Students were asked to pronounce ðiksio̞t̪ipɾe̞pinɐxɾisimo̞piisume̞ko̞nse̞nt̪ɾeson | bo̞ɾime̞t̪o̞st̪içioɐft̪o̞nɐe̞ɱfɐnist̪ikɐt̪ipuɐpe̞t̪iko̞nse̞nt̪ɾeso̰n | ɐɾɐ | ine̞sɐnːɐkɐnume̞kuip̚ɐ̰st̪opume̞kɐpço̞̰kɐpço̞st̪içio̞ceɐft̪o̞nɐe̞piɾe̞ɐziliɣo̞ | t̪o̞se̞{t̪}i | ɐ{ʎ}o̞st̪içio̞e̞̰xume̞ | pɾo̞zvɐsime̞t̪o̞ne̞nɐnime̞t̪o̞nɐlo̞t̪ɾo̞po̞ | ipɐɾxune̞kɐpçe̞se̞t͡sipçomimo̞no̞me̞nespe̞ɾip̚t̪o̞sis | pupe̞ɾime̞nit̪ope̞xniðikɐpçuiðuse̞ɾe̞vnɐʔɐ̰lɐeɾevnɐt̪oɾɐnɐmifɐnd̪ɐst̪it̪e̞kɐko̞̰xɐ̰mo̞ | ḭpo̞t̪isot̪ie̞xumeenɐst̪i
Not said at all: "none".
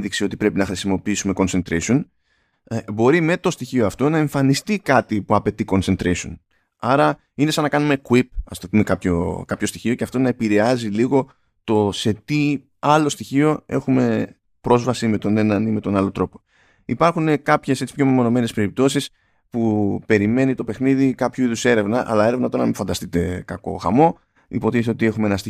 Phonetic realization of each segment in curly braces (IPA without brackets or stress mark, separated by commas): t̪, l